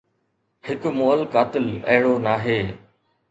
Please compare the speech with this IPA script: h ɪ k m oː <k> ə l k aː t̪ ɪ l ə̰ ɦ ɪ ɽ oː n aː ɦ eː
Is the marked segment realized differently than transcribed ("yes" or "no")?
yes